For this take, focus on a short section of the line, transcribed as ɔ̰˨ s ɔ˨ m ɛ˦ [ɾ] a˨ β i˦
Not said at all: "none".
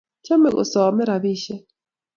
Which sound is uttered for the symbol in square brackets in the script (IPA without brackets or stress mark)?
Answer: ɾ